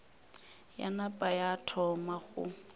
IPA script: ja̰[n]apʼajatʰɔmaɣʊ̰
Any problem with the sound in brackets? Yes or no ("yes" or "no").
no